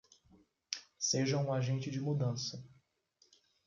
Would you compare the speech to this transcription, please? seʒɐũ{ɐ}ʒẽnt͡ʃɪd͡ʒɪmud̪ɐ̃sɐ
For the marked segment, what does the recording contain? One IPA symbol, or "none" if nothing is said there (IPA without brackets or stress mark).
a